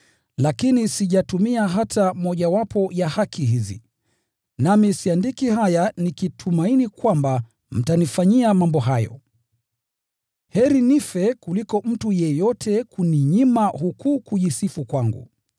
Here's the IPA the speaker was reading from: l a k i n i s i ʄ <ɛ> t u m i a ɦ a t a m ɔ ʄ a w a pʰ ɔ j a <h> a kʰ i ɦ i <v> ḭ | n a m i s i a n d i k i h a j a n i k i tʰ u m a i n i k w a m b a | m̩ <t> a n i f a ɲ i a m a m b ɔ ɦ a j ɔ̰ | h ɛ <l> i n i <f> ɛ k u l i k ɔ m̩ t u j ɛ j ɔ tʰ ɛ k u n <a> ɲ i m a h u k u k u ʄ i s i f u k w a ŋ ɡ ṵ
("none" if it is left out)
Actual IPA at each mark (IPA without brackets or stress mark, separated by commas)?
a, h, z, t, ɾ, f, i